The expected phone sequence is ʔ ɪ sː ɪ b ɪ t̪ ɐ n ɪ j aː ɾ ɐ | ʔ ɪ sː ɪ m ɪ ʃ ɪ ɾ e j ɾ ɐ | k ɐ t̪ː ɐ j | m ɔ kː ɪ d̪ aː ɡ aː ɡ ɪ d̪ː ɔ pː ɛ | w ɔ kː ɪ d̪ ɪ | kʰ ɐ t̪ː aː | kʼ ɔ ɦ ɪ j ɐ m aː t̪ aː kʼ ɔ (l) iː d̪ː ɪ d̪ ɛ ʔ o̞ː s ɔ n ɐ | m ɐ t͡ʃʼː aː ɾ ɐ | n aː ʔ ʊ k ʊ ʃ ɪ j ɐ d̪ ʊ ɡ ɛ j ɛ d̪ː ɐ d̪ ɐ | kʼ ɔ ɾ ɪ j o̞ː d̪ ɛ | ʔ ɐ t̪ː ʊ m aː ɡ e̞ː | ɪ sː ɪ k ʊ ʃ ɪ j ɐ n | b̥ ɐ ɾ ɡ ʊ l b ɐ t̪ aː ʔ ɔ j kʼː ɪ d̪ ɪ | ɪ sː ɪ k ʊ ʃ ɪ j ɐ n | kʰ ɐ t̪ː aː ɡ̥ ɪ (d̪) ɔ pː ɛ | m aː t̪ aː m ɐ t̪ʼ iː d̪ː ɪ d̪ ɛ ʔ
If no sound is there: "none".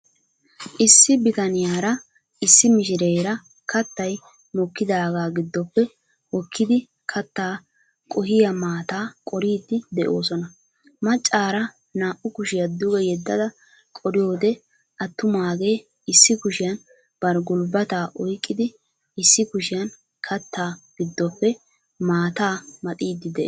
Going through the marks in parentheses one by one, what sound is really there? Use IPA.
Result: ɾ, d̪ː

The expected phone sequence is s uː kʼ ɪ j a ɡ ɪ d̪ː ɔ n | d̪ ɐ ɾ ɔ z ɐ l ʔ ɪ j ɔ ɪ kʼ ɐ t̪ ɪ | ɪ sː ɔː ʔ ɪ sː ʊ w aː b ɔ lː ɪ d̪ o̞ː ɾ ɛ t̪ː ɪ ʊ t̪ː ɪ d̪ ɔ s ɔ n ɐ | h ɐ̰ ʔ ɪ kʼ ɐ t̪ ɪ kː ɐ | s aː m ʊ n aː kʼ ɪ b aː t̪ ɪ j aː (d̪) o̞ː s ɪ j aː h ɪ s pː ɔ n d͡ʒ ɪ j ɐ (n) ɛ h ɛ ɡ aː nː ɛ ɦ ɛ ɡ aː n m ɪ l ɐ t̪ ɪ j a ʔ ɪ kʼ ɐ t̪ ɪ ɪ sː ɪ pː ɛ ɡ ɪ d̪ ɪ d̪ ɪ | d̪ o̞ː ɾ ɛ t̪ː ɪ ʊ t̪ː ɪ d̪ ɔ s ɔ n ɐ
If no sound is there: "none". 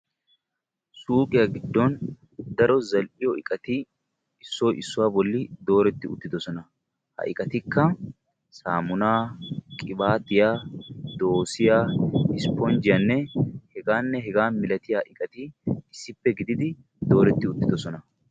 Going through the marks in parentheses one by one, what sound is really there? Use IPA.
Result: d̪, nː

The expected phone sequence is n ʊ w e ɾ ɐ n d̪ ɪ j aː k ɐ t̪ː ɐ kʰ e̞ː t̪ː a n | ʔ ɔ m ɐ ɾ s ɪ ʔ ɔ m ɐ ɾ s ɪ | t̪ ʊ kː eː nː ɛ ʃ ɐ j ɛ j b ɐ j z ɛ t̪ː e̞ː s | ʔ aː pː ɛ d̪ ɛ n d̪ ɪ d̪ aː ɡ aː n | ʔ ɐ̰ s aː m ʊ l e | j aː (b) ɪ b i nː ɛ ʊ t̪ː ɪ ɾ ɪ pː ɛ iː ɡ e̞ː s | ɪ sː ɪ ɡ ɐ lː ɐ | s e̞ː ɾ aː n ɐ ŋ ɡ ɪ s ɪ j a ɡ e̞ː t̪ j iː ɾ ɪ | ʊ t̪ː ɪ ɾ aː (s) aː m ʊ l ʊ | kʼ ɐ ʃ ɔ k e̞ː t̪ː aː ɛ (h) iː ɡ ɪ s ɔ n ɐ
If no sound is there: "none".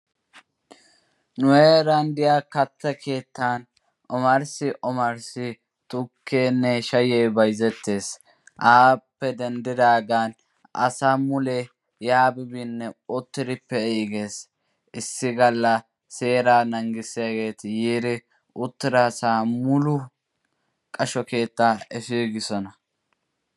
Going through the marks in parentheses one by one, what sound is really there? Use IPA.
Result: b, s, f

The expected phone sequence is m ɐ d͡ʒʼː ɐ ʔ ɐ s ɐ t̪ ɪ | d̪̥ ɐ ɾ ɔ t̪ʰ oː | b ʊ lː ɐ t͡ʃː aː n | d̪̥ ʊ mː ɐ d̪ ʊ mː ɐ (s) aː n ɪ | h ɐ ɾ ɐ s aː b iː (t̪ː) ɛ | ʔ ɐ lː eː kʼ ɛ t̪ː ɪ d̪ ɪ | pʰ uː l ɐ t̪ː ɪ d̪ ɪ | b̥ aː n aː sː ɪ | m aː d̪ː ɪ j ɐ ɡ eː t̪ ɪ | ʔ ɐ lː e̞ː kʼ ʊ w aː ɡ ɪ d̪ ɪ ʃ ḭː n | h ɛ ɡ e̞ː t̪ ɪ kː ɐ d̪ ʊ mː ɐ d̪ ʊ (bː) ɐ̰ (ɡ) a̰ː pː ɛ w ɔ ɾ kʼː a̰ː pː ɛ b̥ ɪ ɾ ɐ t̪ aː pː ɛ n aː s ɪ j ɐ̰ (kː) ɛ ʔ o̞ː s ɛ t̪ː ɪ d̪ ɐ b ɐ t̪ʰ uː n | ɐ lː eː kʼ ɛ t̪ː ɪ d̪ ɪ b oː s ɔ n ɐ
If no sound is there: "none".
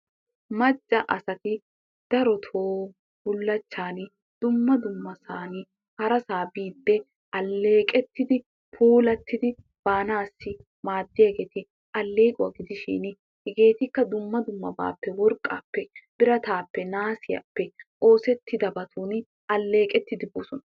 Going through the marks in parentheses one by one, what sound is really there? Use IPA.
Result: s, d̪ː, mː, b, pː

